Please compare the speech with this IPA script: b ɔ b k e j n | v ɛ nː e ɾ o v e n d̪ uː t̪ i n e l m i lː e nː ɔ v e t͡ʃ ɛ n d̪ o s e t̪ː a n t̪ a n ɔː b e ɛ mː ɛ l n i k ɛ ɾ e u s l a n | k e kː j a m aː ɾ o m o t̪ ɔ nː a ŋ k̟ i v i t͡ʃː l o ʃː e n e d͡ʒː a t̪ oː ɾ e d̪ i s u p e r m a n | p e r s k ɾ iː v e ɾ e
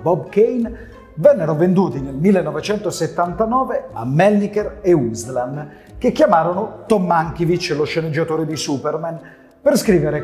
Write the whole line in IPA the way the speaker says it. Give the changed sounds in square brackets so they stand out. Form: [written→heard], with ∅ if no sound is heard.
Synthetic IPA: b ɔ b k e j n | v ɛ nː e ɾ o v e n d̪ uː t̪ i n e l m i lː e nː ɔ v e t͡ʃ ɛ n [d̪→t̪] o s e t̪ː a n t̪ a n ɔː [b→v] e [ɛ→a] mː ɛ l n i k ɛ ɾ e u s l a n | k e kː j a m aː ɾ o [m→n] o t̪ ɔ [nː→mː] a ŋ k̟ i v i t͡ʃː l o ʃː e n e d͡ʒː a t̪ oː ɾ e d̪ i s u p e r m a n | p e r s k ɾ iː v e ɾ e